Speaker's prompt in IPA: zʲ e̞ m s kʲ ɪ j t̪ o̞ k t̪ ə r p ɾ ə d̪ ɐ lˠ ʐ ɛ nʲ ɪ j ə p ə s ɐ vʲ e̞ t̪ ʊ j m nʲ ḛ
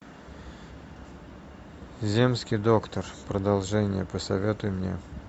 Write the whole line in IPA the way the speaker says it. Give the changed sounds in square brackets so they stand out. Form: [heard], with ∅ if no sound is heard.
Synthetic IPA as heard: zʲ e̞ m s kʲ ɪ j [d̪] o̞ k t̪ ə r p ɾ ə d̪ ɐ lˠ ʐ ɛ nʲ ɪ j ə p ə s ɐ vʲ e̞ t̪ ʊ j m nʲ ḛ